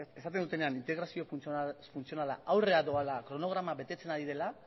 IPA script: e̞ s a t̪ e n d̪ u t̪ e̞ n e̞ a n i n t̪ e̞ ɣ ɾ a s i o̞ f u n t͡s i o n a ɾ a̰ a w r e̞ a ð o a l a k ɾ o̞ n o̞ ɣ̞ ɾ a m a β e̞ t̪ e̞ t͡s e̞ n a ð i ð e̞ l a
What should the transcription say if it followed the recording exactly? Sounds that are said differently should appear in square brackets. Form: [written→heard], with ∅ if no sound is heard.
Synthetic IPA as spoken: e̞ s a t̪ e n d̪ u t̪ e̞ n e̞ a n i n t̪ e̞ ɣ ɾ a s i o̞ f u n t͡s i o n a [ɾ→l] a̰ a w r e̞ a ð o a l a k ɾ o̞ n o̞ ɣ̞ ɾ a m a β e̞ t̪ e̞ t͡s e̞ n a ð i ð e̞ l a